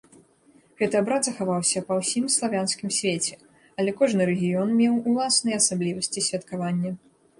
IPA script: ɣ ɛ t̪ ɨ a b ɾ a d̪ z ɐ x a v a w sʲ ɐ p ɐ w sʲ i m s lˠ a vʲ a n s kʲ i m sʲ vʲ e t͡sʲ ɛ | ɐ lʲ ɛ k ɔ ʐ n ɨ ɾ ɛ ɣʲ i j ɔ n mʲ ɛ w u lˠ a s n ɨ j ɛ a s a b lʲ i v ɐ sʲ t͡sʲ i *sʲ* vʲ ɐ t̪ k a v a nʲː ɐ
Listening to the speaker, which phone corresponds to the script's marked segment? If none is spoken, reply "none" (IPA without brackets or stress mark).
sʲ